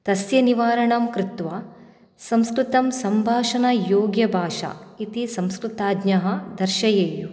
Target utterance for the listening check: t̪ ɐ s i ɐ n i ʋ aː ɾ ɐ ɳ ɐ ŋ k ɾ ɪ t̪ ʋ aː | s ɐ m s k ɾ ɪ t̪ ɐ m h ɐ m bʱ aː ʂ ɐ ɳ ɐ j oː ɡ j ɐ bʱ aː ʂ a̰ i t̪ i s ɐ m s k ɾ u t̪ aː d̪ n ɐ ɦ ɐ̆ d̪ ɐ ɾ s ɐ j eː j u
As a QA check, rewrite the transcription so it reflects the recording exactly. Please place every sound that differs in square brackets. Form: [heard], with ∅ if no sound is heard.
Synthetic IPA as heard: t̪ ɐ s [j] ɐ n i ʋ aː ɾ ɐ ɳ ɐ [m] k ɾ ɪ t̪ ʋ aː | s ɐ m s k ɾ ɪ t̪ ɐ m [s] ɐ m bʱ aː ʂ ɐ [n] ɐ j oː ɡ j ɐ bʱ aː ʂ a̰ i t̪ i s ɐ m s k ɾ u t̪ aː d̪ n ɐ ɦ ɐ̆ d̪ ɐ ɾ [ʃ] ɐ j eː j u